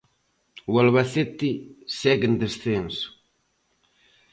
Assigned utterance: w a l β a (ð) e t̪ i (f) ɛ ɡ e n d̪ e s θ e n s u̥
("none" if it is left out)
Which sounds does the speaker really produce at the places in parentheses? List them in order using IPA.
θ, s

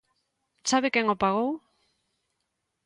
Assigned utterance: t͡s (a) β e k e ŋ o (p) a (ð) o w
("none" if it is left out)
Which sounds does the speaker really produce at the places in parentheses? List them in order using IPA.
a, p, ɣ

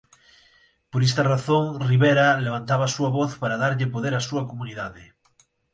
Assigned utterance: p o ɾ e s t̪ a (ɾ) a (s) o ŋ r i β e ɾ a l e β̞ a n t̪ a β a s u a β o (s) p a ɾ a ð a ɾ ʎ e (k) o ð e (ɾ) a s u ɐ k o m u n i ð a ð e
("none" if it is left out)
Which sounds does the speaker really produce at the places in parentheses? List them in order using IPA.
r, θ, θ, p, ɾ

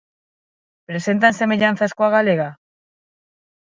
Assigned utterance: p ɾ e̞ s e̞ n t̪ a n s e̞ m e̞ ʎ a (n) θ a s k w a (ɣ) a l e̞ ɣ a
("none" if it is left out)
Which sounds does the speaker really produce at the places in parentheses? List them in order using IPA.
n, ɣ

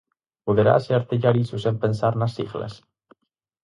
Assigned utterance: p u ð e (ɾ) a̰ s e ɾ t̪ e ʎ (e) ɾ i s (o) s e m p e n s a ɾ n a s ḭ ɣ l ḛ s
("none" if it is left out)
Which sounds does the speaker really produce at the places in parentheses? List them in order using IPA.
ɾ, a, u

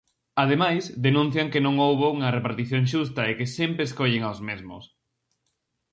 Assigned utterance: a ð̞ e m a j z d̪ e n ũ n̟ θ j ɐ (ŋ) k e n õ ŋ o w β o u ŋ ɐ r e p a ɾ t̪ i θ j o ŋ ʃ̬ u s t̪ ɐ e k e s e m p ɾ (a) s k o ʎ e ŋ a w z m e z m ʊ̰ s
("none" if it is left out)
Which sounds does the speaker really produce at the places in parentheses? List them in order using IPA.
ŋ, e

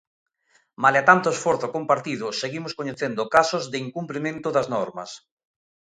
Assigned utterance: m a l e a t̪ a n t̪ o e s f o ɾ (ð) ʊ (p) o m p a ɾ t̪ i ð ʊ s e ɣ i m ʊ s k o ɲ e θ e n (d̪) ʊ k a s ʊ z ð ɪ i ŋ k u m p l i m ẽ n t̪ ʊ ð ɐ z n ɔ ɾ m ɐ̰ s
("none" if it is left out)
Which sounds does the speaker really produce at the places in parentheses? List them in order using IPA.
θ, k, d̪

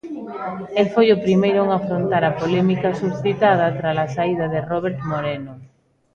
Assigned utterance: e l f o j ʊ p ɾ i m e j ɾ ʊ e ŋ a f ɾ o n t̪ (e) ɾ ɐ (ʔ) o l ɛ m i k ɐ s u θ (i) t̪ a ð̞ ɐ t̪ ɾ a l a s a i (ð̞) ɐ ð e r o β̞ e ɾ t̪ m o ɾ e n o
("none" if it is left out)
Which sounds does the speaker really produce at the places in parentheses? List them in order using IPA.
a, p, i, ð̞

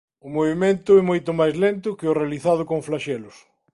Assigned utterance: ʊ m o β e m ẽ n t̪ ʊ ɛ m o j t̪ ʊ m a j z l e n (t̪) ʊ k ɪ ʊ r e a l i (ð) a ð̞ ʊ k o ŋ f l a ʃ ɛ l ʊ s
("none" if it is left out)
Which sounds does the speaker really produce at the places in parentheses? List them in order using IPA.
t̪, θ

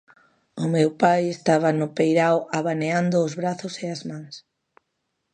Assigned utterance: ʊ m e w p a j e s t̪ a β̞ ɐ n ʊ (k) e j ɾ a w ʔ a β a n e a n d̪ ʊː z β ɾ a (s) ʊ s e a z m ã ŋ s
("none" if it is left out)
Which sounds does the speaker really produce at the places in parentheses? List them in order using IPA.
p, θ

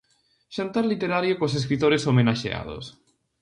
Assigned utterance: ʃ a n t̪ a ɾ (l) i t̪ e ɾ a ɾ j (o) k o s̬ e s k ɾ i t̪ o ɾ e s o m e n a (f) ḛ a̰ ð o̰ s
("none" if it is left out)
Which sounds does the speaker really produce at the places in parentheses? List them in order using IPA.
l, o, ʃ

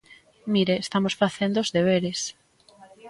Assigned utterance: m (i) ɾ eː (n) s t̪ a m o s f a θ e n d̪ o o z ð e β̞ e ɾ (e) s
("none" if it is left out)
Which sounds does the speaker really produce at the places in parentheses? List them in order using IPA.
i, none, e

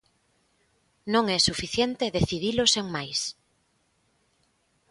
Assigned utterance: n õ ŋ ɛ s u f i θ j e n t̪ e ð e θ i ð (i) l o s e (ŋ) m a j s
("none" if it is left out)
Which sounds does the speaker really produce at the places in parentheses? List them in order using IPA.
i, ŋ

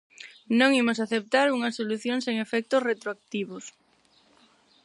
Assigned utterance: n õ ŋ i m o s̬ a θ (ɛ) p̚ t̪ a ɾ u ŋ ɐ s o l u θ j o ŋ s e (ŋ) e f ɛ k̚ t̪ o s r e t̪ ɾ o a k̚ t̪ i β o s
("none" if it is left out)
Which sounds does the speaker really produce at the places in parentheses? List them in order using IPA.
e, ŋ

